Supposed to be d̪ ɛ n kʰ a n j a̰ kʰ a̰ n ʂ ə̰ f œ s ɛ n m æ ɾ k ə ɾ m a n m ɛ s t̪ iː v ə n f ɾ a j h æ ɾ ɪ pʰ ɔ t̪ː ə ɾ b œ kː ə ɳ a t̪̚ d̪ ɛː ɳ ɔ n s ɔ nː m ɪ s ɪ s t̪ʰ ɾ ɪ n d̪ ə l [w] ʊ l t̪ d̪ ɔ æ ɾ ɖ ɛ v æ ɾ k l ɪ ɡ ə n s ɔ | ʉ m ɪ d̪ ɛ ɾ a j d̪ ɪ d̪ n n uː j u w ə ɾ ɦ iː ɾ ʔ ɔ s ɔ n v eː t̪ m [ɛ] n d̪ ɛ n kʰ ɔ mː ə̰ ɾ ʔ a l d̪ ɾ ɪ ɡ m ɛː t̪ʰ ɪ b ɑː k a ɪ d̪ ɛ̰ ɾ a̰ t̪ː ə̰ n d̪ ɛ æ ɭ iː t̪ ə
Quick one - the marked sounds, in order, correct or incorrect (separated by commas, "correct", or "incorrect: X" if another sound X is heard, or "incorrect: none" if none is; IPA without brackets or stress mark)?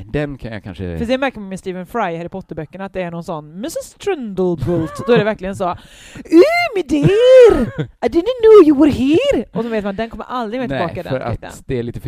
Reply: incorrect: b, incorrect: a